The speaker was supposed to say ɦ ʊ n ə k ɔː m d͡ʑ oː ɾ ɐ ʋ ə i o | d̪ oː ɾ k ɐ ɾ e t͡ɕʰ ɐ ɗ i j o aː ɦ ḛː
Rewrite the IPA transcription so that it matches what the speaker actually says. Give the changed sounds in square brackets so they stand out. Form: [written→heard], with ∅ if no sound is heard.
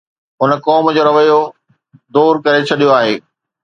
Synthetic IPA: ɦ ʊ n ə k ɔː m d͡ʑ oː ɾ ɐ ʋ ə [i→j] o | d̪ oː ɾ k ɐ ɾ e t͡ɕʰ ɐ ɗ i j o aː ɦ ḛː